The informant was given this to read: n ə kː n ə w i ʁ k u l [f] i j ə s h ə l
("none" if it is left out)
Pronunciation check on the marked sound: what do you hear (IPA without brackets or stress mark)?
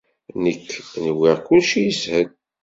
ʃ